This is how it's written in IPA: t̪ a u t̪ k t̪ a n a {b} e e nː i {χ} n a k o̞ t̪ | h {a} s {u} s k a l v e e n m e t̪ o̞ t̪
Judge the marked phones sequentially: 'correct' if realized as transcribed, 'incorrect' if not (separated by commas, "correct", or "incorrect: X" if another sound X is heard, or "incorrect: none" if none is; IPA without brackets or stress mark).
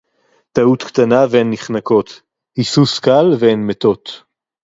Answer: incorrect: v, correct, incorrect: i, correct